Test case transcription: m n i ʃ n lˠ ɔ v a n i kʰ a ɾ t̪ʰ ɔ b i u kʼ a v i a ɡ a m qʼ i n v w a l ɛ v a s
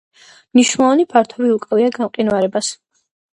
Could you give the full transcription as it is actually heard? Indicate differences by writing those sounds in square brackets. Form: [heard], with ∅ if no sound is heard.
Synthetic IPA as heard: m n i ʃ n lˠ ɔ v a n i [pʰ] a ɾ t̪ʰ ɔ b i u kʼ a v i a ɡ a m qʼ i n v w a [ɾ] ɛ [b] a s